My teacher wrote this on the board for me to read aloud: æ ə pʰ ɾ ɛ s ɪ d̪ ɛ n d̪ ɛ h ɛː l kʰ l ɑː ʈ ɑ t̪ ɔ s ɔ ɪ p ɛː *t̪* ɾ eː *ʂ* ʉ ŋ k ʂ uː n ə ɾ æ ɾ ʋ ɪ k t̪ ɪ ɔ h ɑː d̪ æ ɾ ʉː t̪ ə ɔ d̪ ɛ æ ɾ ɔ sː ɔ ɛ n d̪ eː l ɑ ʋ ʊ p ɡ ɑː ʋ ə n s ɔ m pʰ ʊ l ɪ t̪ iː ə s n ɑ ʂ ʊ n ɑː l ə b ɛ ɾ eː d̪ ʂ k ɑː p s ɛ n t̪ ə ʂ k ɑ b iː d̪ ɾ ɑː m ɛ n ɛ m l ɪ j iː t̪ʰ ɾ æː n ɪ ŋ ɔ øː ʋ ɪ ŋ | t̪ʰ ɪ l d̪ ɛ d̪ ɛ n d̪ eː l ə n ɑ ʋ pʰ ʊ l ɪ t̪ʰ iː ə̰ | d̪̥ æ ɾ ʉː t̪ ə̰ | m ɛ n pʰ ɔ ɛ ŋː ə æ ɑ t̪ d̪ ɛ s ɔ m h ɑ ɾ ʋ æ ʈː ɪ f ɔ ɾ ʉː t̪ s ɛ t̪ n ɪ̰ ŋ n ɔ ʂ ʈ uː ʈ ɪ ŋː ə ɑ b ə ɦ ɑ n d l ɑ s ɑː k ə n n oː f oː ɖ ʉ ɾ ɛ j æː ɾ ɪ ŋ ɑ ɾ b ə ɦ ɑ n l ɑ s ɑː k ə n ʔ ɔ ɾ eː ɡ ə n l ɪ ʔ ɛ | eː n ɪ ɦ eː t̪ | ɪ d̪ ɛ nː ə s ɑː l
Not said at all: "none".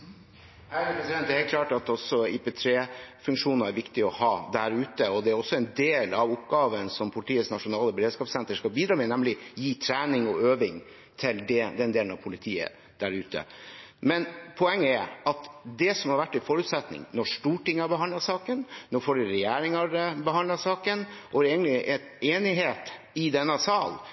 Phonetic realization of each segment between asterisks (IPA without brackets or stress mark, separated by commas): t̪ʰ, f